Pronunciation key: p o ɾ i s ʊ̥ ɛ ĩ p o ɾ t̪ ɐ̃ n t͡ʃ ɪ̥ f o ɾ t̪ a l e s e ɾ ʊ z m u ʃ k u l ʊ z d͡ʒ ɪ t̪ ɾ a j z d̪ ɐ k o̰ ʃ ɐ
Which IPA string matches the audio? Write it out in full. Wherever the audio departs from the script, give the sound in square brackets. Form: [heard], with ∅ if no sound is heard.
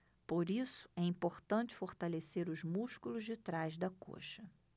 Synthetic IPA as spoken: p o ɾ i s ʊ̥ ɛ ĩ p o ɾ t̪ ɐ̃ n t͡ʃ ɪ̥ f o ɾ t̪ a l e s e ɾ ʊ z m u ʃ k u l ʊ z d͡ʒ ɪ t̪ ɾ a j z d̪ ɐ k o̰ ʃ ɐ

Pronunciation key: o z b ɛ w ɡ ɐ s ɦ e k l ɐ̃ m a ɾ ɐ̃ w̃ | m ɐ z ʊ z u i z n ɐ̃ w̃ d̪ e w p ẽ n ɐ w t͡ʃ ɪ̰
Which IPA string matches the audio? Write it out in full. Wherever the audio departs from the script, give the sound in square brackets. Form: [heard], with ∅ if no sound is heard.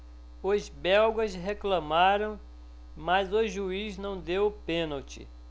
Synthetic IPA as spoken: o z b ɛ w ɡ ɐ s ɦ e k l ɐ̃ m a ɾ ɐ̃ w̃ | m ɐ z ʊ [ʒ] u i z n ɐ̃ w̃ d̪ e w p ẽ n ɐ w t͡ʃ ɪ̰

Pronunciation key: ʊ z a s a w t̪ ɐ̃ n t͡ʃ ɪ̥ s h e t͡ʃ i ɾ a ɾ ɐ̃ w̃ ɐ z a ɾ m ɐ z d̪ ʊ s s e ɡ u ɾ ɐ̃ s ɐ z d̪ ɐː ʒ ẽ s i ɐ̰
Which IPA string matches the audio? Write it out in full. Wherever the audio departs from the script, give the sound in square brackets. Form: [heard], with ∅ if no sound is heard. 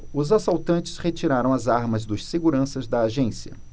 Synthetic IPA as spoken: ʊ z a s a w t̪ ɐ̃ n t͡ʃ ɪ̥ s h e t͡ʃ i ɾ a ɾ ɐ̃ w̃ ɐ z a ɾ m ɐ z d̪ ʊ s s e ɡ u ɾ ɐ̃ s ɐ z d̪ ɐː ʒ ẽ s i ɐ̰

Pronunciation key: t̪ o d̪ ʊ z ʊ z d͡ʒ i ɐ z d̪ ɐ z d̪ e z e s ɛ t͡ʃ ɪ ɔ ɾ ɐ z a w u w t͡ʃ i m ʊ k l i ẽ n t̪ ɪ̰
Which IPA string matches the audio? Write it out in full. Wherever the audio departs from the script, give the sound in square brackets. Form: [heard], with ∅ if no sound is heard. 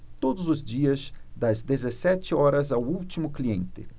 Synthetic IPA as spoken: t̪ o d̪ ʊ z ʊ z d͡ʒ i ɐ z d̪ ɐ z d̪ e z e s ɛ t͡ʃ ɪ ɔ ɾ ɐ z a w u w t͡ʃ i m ʊ k l i ẽ n t̪ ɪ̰

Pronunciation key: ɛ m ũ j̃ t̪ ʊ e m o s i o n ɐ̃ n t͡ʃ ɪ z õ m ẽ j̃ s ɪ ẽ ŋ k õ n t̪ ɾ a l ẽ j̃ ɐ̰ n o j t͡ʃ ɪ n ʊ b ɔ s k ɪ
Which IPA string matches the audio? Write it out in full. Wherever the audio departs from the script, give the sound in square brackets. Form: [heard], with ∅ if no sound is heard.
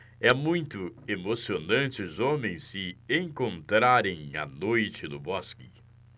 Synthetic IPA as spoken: ɛ m ũ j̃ t̪ ʊ e m o s i o n ɐ̃ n t͡ʃ ɪ z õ m ẽ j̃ s ɪ ẽ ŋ k õ n t̪ ɾ a [ɾ] ẽ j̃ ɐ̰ n o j t͡ʃ ɪ n ʊ b ɔ s k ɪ

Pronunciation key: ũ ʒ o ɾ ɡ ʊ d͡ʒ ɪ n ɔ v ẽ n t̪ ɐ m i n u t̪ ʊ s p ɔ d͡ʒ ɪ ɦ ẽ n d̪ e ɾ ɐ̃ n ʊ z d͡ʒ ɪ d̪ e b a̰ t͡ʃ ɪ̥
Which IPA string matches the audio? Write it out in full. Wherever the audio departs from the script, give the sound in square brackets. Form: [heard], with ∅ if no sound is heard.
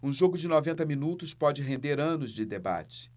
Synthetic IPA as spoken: ũ ʒ o [∅] ɡ ʊ d͡ʒ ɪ n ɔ v ẽ n t̪ ɐ m i n u t̪ ʊ s p ɔ d͡ʒ ɪ ɦ ẽ n d̪ e ɾ ɐ̃ n ʊ z d͡ʒ ɪ d̪ e b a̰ t͡ʃ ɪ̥

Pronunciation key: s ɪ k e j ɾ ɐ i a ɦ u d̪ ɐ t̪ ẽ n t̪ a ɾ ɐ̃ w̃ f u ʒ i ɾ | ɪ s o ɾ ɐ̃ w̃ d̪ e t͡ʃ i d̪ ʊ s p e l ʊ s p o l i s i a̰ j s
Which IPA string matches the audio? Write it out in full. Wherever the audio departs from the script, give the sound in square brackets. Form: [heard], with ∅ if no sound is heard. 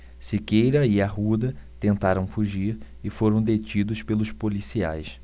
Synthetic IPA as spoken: s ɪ k e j ɾ ɐ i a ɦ u d̪ ɐ t̪ ẽ n t̪ a ɾ ɐ̃ w̃ f u ʒ i ɾ | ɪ [f] o ɾ ɐ̃ w̃ d̪ e t͡ʃ i d̪ ʊ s p e l ʊ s p o l i s i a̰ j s

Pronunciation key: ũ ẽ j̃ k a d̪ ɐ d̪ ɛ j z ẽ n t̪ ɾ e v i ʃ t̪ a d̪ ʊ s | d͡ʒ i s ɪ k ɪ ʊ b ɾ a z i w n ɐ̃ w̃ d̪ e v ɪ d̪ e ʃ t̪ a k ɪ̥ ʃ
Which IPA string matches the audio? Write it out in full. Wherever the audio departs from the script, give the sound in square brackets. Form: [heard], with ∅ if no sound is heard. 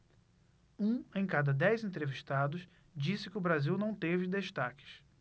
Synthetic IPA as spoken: ũ ẽ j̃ k a d̪ ɐ d̪ ɛ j z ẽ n t̪ ɾ e v i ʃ t̪ a d̪ ʊ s | d͡ʒ i s ɪ k ɪ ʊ b ɾ a z i w n ɐ̃ w̃ [t̪] e v ɪ d̪ e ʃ t̪ a k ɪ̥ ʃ

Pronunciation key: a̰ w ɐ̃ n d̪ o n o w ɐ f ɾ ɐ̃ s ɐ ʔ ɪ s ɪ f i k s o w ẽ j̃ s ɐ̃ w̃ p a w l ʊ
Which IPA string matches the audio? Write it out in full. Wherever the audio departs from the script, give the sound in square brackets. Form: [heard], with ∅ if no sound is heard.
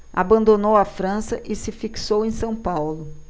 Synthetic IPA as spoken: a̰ [b] ɐ̃ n d̪ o n o w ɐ f ɾ ɐ̃ s ɐ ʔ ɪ s ɪ f i k s o w ẽ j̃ s ɐ̃ w̃ p a w l ʊ

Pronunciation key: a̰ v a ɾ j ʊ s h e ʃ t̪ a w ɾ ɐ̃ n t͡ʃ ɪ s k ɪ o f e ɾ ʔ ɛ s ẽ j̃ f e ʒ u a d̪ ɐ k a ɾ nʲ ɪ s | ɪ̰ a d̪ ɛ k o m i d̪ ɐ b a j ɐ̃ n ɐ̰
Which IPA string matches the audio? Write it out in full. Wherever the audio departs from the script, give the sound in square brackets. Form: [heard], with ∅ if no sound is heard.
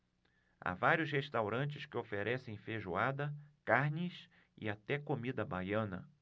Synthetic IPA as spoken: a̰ v a ɾ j ʊ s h e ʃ t̪ a w ɾ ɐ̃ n t͡ʃ ɪ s k ɪ o f e ɾ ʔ ɛ s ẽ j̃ f e ʒ u a d̪ ɐ k a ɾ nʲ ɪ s | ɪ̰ a [t̪] ɛ k o m i d̪ ɐ b a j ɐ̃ n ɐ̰

